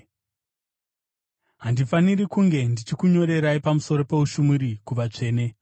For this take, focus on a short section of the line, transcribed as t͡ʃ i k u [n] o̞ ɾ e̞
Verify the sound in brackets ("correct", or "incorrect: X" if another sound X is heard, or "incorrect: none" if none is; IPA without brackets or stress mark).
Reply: incorrect: ɲ